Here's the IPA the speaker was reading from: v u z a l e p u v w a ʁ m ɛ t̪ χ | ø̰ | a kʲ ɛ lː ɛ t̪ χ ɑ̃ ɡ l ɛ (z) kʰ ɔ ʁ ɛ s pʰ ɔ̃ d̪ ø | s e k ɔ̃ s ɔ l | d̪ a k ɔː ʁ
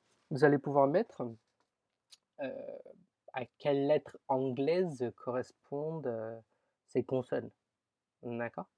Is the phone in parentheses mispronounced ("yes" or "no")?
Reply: no